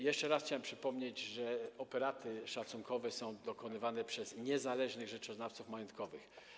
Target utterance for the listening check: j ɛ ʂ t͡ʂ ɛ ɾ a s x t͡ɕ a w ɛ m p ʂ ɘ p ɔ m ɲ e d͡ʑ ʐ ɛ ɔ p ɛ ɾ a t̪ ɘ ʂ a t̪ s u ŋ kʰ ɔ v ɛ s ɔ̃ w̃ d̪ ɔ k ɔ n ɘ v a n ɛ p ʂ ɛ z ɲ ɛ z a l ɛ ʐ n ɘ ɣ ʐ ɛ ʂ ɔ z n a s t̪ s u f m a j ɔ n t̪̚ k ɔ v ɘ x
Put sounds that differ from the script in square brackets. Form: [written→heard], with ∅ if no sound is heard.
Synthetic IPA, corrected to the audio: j ɛ ʂ t͡ʂ ɛ ɾ a s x t͡ɕ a w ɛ m p ʂ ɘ p ɔ m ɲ e d͡ʑ ʐ ɛ ɔ p ɛ ɾ a t̪ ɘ ʂ a t̪ s u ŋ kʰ ɔ v ɛ s ɔ̃ w̃ d̪ ɔ k ɔ n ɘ v a n ɛ p ʂ ɛ z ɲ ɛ z a l ɛ ʐ n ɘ ɣ ʐ ɛ [ʂ→t͡ʂ] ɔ z n a [s→f] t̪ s u f m a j ɔ n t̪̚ k ɔ v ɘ x